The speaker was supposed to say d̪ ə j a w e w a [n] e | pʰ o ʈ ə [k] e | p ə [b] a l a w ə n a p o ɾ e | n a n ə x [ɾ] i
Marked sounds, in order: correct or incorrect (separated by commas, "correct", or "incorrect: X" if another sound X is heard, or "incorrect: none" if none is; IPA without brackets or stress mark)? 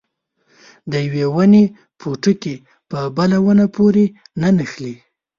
correct, correct, correct, incorrect: l